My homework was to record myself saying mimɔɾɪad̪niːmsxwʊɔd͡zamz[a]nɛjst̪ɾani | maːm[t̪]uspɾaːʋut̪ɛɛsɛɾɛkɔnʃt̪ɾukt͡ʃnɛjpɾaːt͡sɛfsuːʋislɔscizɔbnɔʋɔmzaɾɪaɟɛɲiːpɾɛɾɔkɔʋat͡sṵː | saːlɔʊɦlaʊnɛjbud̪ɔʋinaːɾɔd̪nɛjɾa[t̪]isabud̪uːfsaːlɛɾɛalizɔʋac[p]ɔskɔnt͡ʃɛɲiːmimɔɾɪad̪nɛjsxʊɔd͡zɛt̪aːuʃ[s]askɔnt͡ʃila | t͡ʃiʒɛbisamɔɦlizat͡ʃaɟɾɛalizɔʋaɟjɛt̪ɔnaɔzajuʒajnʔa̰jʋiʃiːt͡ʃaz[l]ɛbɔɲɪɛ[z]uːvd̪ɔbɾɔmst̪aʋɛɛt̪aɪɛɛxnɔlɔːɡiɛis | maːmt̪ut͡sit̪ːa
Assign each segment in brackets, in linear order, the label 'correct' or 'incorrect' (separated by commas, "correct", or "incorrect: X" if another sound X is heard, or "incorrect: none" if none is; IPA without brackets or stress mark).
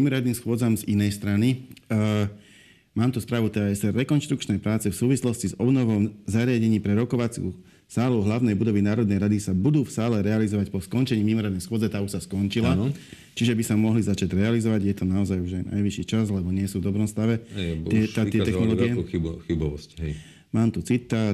incorrect: i, correct, incorrect: d̪, correct, correct, correct, incorrect: s